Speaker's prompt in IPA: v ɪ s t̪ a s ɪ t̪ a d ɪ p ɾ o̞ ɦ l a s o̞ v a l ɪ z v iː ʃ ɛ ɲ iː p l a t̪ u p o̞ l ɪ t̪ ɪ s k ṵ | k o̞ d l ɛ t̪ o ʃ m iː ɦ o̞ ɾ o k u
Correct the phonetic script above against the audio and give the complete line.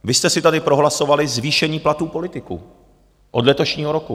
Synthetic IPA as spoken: v ɪ s t̪ ɛ s ɪ t̪ a d ɪ p ɾ o̞ ɦ l a s o̞ v a l ɪ z v iː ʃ ɛ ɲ iː p l a t̪ uː p o̞ l ɪ t̪ ɪ k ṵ | ʔ o̞ d l ɛ t̪ o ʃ ɲ iː ɦ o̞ ɾ o k u